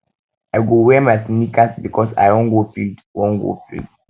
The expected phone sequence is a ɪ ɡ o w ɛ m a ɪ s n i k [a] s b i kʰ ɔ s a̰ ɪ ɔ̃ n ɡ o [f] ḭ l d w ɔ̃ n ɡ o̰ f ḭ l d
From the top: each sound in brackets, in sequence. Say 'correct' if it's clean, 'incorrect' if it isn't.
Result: correct, correct

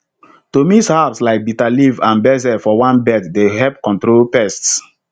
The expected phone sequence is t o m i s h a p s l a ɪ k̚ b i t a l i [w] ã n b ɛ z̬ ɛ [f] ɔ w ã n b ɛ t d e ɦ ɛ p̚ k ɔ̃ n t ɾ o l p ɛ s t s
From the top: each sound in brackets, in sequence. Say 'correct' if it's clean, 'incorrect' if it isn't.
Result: incorrect: v, correct

